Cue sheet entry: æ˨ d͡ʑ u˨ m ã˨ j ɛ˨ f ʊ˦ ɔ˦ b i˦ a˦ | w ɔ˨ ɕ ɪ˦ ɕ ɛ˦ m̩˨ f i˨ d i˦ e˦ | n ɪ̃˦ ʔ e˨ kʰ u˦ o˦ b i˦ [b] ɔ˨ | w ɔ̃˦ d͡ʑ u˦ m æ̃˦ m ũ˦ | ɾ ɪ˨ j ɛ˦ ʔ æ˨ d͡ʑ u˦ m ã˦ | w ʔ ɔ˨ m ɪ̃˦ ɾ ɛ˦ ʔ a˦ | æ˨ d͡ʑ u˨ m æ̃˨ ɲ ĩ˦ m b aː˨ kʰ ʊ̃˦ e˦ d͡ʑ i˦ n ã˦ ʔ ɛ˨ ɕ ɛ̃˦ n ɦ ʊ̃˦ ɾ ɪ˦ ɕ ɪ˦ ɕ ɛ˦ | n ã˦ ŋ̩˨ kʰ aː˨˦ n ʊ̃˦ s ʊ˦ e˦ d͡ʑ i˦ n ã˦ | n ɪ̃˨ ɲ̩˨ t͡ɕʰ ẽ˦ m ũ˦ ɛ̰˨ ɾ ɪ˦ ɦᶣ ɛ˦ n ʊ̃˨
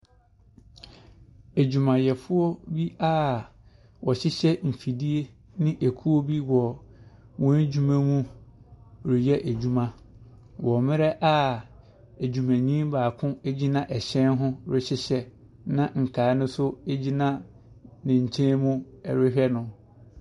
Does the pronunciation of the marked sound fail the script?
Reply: yes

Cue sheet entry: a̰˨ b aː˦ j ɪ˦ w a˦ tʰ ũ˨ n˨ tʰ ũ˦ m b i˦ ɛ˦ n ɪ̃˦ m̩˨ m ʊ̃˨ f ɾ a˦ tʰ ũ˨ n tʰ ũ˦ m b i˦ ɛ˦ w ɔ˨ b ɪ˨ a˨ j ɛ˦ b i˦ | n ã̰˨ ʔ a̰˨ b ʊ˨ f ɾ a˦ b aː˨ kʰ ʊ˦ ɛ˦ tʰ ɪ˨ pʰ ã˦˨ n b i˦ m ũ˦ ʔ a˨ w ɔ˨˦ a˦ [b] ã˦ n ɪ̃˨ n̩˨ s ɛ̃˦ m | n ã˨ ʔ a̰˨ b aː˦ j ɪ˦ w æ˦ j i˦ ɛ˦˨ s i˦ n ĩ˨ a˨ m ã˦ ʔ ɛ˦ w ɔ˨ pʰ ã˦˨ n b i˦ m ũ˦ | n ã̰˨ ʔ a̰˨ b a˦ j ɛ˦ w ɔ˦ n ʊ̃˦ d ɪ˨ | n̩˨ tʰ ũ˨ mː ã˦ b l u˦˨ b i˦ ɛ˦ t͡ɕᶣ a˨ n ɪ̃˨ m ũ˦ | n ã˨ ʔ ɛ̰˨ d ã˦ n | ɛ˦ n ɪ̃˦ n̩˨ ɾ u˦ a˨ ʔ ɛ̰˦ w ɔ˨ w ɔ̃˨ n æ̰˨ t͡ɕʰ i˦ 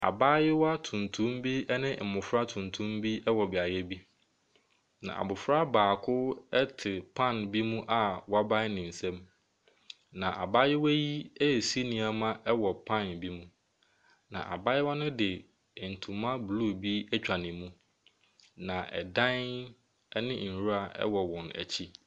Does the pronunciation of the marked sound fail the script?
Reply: no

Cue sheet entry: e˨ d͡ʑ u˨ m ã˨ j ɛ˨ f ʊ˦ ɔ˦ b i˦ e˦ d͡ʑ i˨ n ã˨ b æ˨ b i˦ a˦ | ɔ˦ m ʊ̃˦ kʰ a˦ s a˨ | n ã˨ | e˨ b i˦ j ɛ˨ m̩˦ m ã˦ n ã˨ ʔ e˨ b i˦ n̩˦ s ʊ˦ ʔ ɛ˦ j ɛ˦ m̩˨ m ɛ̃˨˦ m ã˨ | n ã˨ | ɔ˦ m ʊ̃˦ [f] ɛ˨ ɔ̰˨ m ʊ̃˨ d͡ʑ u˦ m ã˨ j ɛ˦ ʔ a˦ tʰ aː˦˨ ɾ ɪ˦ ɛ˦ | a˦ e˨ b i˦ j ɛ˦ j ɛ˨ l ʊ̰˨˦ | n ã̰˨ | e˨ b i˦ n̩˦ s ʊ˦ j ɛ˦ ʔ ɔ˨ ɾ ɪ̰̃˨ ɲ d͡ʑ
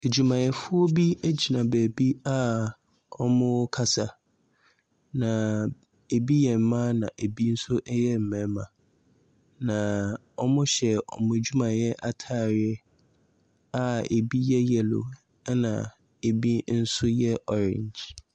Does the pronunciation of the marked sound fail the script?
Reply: yes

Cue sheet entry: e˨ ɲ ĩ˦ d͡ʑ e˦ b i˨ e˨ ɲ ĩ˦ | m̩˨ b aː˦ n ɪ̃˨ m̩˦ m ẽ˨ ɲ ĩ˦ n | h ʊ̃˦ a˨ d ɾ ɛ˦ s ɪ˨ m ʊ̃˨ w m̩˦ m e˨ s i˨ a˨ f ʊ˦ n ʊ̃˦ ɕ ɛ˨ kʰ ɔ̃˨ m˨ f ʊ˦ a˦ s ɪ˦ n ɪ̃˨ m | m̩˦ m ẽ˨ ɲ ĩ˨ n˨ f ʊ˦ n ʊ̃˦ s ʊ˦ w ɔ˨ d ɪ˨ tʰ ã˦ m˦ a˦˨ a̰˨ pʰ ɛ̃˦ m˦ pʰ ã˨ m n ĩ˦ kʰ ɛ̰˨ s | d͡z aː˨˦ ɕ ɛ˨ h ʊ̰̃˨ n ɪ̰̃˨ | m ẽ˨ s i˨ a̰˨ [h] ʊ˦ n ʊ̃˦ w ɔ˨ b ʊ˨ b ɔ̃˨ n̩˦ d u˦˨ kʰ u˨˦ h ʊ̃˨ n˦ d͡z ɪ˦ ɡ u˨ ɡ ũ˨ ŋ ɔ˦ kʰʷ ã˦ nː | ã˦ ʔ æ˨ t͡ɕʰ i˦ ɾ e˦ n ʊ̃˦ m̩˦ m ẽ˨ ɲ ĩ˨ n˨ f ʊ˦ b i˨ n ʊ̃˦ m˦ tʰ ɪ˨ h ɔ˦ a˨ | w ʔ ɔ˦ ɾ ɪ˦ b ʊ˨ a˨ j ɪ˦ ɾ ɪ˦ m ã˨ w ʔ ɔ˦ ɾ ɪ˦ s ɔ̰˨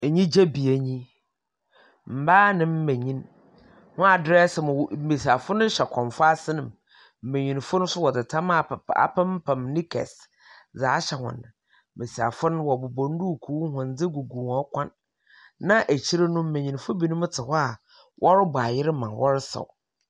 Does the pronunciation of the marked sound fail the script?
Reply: yes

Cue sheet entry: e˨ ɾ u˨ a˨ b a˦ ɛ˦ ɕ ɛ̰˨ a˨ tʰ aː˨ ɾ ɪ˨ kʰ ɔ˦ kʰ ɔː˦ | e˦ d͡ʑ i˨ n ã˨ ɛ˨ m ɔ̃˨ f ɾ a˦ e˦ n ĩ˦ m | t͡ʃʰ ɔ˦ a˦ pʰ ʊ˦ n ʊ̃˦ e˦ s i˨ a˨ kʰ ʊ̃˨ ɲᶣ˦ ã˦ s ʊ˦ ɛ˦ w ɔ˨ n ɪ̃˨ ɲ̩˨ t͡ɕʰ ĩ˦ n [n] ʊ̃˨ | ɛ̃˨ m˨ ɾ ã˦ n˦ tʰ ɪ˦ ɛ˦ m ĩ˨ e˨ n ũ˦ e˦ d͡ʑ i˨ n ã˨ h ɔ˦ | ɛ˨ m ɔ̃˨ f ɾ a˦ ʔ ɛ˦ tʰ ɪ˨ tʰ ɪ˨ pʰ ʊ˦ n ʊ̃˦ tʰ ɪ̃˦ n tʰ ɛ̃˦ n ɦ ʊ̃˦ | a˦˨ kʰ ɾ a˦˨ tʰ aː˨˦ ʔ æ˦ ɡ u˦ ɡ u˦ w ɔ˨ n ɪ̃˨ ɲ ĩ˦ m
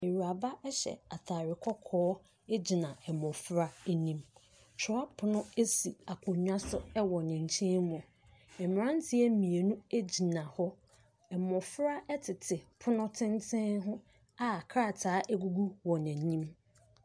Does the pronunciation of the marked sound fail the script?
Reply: yes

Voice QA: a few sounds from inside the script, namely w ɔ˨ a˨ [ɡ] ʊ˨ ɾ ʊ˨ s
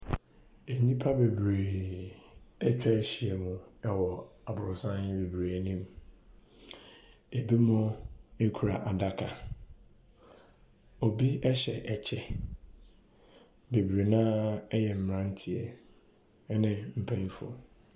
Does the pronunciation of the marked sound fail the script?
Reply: yes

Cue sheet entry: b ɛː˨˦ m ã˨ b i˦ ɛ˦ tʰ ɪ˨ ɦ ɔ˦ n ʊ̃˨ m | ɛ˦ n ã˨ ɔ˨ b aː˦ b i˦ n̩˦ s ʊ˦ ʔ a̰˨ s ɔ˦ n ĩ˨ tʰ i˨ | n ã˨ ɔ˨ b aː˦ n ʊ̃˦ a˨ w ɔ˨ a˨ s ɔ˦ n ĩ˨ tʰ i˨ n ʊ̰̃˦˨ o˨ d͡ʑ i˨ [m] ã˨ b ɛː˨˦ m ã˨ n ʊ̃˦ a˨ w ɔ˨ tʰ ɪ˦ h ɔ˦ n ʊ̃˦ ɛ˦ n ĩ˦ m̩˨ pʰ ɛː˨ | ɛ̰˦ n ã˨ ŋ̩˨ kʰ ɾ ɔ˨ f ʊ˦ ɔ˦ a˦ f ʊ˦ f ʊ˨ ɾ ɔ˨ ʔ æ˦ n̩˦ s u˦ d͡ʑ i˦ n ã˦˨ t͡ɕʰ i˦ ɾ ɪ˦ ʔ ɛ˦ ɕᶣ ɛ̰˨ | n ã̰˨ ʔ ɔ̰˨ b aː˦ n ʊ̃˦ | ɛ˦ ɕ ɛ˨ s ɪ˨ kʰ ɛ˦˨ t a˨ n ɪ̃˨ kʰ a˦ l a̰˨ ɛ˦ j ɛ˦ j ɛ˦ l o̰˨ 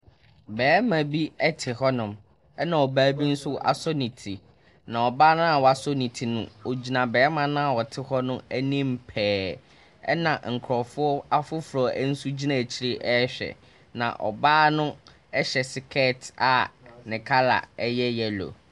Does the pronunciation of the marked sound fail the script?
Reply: yes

